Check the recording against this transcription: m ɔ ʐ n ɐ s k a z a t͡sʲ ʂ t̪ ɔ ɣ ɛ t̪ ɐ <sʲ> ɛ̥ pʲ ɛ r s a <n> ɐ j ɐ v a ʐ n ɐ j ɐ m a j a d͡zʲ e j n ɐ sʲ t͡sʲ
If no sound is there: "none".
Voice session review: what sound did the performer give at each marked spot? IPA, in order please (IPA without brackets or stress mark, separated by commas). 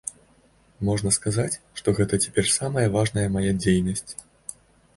t͡sʲ, m